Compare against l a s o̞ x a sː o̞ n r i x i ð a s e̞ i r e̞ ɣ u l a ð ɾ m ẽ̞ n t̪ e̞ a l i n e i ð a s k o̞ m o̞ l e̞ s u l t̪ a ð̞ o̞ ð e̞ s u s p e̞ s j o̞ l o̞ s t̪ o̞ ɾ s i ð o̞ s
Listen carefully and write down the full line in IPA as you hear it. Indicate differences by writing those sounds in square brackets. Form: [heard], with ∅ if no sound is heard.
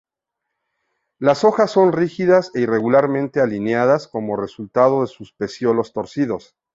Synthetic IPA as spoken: l a s o̞ x a sː o̞ n r i x i ð a s e̞ i r e̞ ɣ u l a [∅] ɾ m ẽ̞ n t̪ e̞ a l i n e [a] ð a s k o̞ m o̞ [r] e̞ s u l t̪ a ð̞ o̞ ð e̞ s u s p e̞ s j o̞ l o̞ s t̪ o̞ ɾ s i ð o̞ s